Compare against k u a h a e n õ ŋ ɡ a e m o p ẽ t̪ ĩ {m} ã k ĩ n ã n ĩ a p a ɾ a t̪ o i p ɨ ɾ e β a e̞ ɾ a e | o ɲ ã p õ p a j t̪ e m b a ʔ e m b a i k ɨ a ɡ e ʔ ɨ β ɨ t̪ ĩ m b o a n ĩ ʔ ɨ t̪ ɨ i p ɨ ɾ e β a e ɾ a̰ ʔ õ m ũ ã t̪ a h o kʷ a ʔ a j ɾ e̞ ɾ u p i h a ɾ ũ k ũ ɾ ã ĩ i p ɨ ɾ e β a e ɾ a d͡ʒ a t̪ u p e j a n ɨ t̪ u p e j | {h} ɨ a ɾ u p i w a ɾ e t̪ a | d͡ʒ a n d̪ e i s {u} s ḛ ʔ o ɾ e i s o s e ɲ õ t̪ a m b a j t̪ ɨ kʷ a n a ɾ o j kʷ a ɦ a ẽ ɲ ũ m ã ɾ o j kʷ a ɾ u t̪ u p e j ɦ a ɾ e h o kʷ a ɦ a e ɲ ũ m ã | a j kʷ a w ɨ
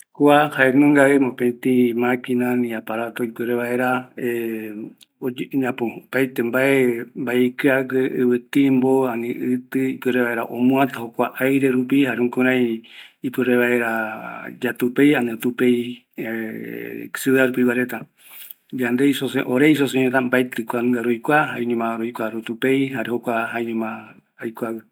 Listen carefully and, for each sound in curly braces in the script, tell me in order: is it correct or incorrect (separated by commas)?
correct, incorrect, incorrect